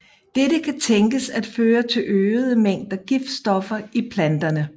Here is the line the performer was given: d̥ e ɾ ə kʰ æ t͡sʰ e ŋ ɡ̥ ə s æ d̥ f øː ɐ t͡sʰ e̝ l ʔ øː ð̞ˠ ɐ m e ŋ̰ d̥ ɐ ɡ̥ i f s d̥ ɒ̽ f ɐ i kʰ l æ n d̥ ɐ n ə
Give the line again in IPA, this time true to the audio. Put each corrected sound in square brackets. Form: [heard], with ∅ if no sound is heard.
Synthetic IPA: d̥ e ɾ ə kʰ æ t͡sʰ e ŋ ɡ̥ ə s æ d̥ f øː ɐ t͡sʰ e̝ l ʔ øː ð̞ˠ [ə] m e ŋ̰ d̥ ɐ ɡ̥ i f s d̥ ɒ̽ f ɐ i [pʰ] l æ n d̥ ɐ n ə

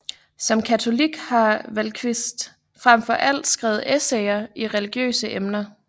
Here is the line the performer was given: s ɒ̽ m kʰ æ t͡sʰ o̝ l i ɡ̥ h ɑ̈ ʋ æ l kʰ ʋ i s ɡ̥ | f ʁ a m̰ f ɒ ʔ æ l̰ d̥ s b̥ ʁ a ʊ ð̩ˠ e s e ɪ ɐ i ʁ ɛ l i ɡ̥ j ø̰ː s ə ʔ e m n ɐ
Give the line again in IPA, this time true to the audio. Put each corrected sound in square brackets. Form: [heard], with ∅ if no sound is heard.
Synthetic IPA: s ɒ̽ m kʰ æ t͡sʰ o̝ l i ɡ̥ h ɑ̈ ʋ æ l kʰ ʋ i s [d̥] | f ʁ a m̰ f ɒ ʔ æ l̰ d̥ s [ɡ̥] ʁ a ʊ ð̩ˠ e s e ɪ ɐ i ʁ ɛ l i ɡ̥ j ø̰ː s ə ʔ e m n ɐ

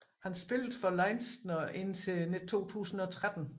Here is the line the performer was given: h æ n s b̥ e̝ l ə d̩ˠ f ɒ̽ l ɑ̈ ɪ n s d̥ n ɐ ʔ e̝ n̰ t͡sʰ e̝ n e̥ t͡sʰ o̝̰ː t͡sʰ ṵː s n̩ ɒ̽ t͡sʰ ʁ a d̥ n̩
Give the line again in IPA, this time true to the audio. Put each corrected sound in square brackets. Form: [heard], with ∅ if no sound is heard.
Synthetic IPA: h æ n s b̥ e̝ l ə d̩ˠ f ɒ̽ l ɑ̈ ɪ n s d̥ n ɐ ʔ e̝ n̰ t͡sʰ e̝ n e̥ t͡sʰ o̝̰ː t͡sʰ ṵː s n̩ ɒ̽ t͡sʰ ʁ a d̥ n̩

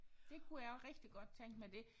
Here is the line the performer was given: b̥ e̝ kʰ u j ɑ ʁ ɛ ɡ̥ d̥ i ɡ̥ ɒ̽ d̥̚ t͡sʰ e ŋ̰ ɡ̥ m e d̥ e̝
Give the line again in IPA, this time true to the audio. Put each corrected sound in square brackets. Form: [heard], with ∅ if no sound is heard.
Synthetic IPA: [d̥] e̝ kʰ u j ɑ ʁ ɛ ɡ̥ d̥ i ɡ̥ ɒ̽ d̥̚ t͡sʰ e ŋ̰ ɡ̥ m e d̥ e̝

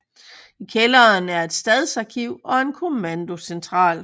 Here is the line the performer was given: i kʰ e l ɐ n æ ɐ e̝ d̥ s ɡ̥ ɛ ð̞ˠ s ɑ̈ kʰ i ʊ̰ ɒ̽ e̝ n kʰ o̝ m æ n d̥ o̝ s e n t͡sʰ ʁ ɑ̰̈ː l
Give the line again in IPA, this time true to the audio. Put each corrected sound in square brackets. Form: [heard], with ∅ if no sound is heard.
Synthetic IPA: i kʰ e l ɐ n æ ɐ e̝ d̥ s [d̥] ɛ ð̞ˠ s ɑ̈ kʰ i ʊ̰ ɒ̽ e̝ n kʰ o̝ m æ n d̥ o̝ s e n t͡sʰ ʁ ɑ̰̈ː l

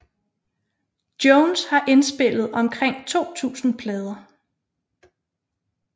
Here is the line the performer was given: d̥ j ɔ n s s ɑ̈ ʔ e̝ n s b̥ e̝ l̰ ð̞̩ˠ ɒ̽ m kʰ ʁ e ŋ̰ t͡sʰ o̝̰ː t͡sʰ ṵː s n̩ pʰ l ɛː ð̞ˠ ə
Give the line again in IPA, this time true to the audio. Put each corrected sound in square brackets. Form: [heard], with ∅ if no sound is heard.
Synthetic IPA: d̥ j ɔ n s [h] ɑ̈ ʔ e̝ n s b̥ e̝ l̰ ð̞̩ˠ ɒ̽ m kʰ ʁ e ŋ̰ t͡sʰ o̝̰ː t͡sʰ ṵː s n̩ pʰ l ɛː ð̞ˠ [ɐ]

